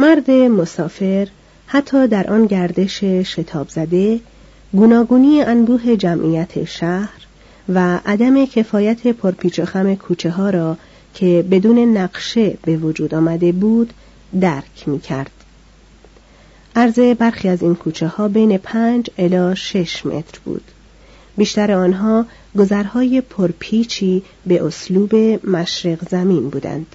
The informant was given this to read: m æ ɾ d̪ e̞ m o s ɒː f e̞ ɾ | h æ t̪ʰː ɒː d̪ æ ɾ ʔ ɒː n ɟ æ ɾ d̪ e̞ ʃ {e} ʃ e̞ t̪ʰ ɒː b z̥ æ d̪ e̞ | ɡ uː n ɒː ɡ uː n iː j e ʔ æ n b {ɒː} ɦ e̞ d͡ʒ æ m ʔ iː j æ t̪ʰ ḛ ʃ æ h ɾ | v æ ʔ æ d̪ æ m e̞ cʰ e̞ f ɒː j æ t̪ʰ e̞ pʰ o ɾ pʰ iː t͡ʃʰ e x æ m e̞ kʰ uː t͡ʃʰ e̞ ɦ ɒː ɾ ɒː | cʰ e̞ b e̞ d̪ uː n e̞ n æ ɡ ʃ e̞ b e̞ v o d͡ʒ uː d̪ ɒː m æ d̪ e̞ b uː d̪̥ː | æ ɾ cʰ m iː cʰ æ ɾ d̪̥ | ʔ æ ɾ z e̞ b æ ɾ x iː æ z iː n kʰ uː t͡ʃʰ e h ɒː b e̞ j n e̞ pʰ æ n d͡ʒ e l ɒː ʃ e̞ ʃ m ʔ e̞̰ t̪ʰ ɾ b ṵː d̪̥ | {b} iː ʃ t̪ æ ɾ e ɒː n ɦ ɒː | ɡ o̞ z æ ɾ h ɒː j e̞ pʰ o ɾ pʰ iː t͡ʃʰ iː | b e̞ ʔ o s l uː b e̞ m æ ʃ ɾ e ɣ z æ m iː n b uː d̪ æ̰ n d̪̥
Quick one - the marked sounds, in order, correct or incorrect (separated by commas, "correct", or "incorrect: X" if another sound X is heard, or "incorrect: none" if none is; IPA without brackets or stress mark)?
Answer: correct, incorrect: uː, correct